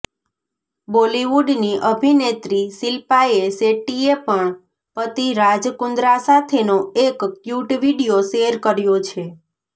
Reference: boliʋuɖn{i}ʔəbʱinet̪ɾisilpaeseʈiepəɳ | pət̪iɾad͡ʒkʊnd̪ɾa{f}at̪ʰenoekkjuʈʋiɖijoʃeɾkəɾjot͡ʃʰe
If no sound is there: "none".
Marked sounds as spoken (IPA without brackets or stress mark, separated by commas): i, s